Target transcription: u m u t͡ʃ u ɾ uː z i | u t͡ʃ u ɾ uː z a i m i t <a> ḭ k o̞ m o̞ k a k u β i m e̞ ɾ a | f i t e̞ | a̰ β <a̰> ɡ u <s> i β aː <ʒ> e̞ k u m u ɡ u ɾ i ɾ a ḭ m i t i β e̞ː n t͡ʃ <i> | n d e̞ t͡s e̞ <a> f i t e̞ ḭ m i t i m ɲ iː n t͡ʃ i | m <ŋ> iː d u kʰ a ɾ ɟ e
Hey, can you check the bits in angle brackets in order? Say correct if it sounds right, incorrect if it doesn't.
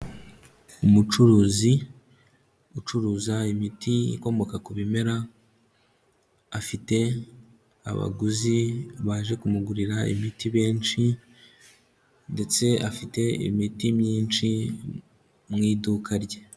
incorrect, correct, incorrect, correct, correct, correct, correct

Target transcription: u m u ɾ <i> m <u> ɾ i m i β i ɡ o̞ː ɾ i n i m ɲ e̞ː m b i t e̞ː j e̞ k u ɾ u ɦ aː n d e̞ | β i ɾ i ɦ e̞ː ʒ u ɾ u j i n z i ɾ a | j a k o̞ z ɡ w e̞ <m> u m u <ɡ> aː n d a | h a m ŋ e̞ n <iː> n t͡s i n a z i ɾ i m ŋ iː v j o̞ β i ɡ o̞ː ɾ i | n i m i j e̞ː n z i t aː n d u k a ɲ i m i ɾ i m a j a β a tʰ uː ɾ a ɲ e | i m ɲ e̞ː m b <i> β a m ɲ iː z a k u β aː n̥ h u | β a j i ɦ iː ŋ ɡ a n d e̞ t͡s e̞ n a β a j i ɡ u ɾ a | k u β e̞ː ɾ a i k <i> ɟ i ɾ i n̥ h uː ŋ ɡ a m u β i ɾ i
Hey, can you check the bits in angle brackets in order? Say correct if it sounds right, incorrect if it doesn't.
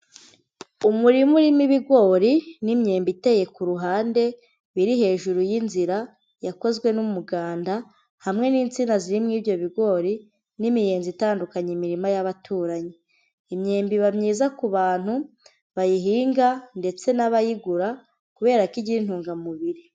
correct, correct, incorrect, correct, correct, correct, correct

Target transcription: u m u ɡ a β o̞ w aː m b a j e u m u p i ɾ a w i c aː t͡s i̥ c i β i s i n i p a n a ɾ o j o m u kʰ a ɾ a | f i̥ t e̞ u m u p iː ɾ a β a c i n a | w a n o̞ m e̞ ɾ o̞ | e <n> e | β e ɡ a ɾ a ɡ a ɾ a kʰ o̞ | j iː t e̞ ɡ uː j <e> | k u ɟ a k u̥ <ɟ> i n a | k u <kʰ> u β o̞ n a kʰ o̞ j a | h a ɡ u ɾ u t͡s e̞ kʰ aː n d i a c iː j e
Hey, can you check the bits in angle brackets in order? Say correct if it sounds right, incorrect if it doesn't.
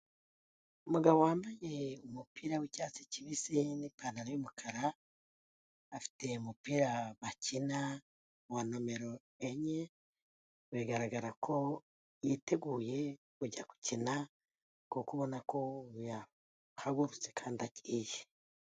incorrect, correct, incorrect, incorrect

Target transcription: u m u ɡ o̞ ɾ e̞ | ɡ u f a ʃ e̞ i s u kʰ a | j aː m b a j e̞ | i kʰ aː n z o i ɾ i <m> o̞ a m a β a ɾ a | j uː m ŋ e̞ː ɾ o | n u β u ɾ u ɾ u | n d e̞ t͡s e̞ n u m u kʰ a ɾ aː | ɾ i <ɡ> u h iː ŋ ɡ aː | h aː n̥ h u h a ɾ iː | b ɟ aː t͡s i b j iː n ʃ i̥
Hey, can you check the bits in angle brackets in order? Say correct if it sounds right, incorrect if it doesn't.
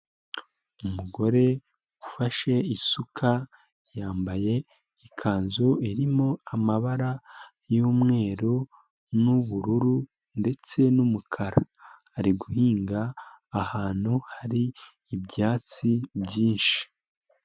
correct, correct

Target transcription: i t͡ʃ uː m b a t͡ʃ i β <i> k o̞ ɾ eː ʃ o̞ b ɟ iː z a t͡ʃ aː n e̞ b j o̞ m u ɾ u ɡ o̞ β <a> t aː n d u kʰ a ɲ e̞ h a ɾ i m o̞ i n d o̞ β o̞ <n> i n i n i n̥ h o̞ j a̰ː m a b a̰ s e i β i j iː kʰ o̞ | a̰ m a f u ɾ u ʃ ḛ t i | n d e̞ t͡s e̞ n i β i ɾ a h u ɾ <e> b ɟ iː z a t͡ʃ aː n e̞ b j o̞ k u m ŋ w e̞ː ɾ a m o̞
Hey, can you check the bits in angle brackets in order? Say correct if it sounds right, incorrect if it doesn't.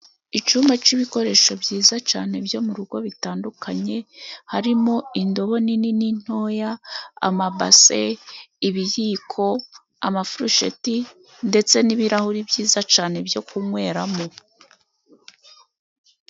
correct, incorrect, correct, incorrect

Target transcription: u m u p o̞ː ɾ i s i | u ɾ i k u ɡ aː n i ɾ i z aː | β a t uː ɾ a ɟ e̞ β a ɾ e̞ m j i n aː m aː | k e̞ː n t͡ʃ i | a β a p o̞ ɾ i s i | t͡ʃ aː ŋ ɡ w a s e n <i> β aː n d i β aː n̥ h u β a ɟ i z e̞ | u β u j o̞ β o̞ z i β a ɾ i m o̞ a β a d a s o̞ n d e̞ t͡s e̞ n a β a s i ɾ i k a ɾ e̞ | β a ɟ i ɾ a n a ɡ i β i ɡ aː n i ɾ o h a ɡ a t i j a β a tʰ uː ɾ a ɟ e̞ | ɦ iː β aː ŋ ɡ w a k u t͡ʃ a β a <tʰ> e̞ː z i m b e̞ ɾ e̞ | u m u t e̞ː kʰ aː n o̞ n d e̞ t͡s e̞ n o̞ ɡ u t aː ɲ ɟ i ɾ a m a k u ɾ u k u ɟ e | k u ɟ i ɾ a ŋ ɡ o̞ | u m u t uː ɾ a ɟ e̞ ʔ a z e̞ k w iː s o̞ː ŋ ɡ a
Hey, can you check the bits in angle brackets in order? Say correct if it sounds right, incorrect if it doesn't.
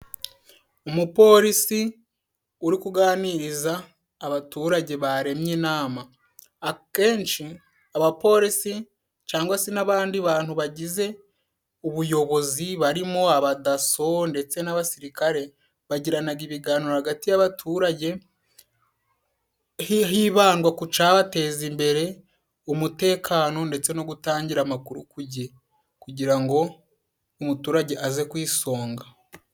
incorrect, incorrect

